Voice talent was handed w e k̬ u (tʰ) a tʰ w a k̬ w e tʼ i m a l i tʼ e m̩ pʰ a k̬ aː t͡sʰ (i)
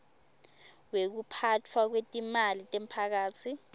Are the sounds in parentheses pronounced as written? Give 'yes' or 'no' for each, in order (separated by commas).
no, yes